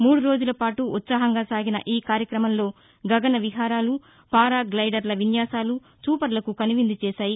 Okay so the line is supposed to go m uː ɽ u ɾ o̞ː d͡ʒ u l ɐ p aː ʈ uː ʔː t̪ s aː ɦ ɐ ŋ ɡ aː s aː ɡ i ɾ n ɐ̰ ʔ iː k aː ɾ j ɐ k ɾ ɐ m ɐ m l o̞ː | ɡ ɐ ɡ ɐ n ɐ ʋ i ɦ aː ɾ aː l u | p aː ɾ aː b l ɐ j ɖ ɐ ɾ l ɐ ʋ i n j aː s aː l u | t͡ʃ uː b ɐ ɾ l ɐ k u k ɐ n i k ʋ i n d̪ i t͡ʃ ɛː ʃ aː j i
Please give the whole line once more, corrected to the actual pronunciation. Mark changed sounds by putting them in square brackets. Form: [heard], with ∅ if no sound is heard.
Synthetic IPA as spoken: m uː ɽ u ɾ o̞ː d͡ʒ u l ɐ p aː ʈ [u] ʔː t̪ s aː ɦ ɐ ŋ ɡ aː s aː ɡ i [∅] n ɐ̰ ʔ iː k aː ɾ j ɐ k ɾ ɐ m ɐ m l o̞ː | ɡ ɐ ɡ ɐ n ɐ ʋ i ɦ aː ɾ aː l u | p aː ɾ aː [ɡ] l ɐ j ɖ ɐ ɾ l ɐ ʋ i n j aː s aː l u | t͡ʃ uː [p] ɐ ɾ l ɐ k u k ɐ n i [∅] ʋ i n d̪ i t͡ʃ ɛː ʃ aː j i